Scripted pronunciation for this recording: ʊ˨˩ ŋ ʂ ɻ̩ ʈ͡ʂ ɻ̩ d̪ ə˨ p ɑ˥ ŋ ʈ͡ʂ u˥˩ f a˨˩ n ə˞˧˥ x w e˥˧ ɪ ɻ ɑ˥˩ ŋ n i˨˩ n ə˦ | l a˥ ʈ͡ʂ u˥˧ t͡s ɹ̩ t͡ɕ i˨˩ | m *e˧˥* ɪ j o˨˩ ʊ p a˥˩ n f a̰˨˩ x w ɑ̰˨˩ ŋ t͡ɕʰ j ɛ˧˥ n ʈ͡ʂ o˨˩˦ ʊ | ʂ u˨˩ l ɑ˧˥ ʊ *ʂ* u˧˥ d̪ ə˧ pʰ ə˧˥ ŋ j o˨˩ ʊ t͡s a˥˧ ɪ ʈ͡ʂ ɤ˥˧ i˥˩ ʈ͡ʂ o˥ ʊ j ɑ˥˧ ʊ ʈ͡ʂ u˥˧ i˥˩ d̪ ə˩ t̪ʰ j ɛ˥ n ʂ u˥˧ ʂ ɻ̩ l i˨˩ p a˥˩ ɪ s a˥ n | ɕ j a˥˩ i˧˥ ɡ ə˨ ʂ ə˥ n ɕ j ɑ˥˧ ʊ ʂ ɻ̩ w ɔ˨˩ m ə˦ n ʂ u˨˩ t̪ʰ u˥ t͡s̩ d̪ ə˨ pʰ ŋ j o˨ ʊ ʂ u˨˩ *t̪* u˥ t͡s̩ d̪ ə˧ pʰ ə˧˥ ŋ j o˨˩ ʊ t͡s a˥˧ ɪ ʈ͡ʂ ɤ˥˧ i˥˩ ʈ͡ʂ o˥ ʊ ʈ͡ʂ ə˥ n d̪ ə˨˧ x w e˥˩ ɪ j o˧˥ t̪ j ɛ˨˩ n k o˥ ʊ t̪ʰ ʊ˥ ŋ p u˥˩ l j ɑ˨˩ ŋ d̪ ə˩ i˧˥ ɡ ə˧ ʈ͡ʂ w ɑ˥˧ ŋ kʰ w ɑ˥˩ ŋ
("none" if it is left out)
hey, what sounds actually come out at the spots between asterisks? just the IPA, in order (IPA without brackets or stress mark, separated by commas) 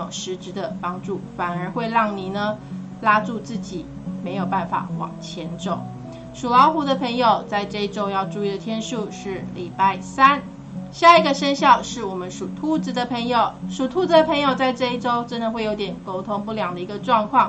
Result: e˧˥, x, t̪ʰ